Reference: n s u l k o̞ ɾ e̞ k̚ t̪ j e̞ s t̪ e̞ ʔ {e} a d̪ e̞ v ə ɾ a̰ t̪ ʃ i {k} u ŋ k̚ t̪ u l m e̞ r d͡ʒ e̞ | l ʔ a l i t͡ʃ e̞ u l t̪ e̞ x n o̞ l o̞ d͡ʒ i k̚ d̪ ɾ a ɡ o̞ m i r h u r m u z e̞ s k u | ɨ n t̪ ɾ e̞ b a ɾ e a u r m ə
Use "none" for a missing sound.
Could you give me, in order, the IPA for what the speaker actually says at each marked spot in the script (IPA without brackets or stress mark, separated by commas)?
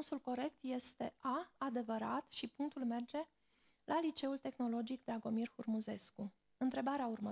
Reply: a, p